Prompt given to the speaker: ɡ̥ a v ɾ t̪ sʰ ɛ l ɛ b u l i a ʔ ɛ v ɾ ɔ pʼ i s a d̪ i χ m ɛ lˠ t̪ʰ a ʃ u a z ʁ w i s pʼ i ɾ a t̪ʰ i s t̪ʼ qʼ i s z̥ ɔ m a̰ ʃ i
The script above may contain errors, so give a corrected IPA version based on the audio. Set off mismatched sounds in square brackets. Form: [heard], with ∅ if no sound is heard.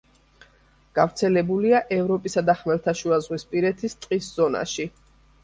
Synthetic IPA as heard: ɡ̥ a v ɾ t̪ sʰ ɛ l ɛ b u l i a ʔ ɛ v ɾ ɔ pʼ i s a d̪ [a] χ m ɛ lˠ t̪ʰ a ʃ u a z ʁ w i s pʼ i ɾ [ɛ] t̪ʰ i s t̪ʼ qʼ i s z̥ ɔ [n] a̰ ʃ i

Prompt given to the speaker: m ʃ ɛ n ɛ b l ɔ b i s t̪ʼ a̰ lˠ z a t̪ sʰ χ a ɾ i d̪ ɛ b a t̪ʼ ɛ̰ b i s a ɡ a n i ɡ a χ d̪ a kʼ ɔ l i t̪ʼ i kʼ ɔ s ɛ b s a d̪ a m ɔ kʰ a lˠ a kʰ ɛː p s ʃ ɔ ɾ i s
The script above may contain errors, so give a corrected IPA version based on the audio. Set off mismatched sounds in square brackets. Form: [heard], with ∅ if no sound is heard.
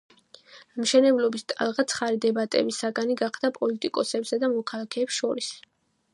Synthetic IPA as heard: m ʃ ɛ n ɛ b l ɔ b i s t̪ʼ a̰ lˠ [ʁ] a t̪ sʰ χ a ɾ i d̪ ɛ b a t̪ʼ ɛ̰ b i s a ɡ a n i ɡ a χ d̪ a [pʼ] ɔ l i t̪ʼ i kʼ ɔ s ɛ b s a d̪ a m ɔ kʰ a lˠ a kʰ ɛː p s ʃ ɔ ɾ i s

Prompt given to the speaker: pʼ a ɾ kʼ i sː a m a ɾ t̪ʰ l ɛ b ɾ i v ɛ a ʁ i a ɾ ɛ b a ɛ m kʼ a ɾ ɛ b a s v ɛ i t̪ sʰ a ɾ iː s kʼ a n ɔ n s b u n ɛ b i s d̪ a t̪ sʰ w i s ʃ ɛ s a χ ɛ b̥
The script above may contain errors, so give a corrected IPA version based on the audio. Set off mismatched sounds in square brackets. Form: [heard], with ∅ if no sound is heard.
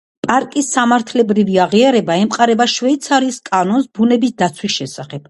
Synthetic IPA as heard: pʼ a ɾ kʼ i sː a m a ɾ t̪ʰ l ɛ b ɾ i v [i] a ʁ i a ɾ ɛ b a ɛ m [qʼ] a ɾ ɛ b a [ʃ] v ɛ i t̪ sʰ a ɾ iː s kʼ a n ɔ n s b u n ɛ b i s d̪ a t̪ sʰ w i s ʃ ɛ s a χ ɛ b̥

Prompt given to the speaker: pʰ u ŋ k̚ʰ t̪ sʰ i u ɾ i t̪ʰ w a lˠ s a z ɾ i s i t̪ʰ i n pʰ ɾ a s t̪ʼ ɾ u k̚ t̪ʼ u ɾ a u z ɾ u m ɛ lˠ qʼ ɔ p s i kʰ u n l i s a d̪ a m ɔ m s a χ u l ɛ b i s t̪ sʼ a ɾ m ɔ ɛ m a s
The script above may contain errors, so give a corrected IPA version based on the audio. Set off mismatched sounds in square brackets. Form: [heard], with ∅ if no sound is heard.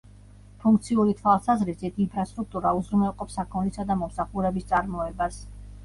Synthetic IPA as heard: pʰ u ŋ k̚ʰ t̪ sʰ i u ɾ i t̪ʰ w a lˠ s a z ɾ i s i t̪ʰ i n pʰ ɾ a s t̪ʼ ɾ u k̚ t̪ʼ u ɾ a u z ɾ u m ɛ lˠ qʼ ɔ p s [a] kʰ [ɔ] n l i s a d̪ a m ɔ m s a χ u [ɾ] ɛ b i s t̪ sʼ a ɾ m ɔ ɛ [b] a s

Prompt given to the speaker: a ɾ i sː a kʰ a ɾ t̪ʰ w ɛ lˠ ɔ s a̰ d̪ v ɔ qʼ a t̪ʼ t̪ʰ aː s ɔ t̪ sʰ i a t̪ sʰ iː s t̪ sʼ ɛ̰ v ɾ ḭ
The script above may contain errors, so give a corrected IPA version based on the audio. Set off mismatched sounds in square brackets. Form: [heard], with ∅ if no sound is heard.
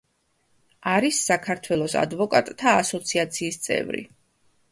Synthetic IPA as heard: a ɾ i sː a kʰ a ɾ t̪ʰ w ɛ lˠ ɔ s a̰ d̪ v ɔ [kʼ] a t̪ʼ t̪ʰ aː s ɔ t̪ sʰ i a t̪ sʰ iː s t̪ sʼ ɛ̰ v ɾ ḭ

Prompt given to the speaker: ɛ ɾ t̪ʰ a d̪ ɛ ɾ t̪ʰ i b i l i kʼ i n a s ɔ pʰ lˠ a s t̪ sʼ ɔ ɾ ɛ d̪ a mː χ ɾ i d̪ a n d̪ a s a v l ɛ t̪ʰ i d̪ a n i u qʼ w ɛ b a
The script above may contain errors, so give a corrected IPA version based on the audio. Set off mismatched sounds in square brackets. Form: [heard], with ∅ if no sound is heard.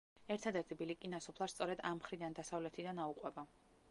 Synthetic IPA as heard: ɛ ɾ t̪ʰ a d̪ ɛ ɾ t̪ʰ i b i l i kʼ i n a s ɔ pʰ lˠ a s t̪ sʼ ɔ ɾ ɛ d̪ a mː χ ɾ i d̪ a n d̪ a s a v l ɛ t̪ʰ i d̪ a n [a] u qʼ w ɛ b a

